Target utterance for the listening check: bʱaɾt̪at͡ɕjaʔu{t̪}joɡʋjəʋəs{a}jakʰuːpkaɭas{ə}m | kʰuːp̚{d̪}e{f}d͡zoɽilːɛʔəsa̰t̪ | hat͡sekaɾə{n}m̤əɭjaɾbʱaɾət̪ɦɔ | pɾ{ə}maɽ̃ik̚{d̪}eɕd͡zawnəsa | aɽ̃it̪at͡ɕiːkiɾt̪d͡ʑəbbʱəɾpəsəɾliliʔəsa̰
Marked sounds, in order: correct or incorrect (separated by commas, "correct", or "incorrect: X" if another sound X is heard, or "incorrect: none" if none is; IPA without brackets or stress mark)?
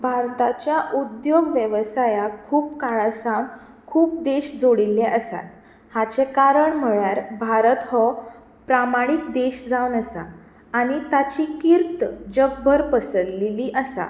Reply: incorrect: d̪, correct, incorrect: a, correct, incorrect: ɕ, incorrect: ɳ, incorrect: a, correct